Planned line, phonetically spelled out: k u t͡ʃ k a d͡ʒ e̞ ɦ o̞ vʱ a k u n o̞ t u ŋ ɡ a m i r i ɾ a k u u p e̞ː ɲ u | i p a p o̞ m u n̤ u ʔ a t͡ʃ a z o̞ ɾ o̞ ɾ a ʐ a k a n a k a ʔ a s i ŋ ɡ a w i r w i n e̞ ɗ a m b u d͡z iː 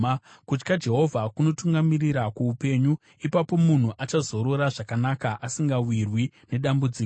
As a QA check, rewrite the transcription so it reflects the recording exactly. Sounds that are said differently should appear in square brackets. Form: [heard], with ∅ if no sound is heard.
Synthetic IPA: k u t͡ʃ k a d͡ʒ e̞ ɦ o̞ vʱ a k u n o̞ t u ŋ ɡ a m i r i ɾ a k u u p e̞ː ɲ u | i p a p o̞ m u n̤ u ʔ a t͡ʃ a z o̞ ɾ o̞ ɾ a ʐ a k a n a k a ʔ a s i ŋ ɡ a w i r w i n e̞ ɗ a m b u d͡z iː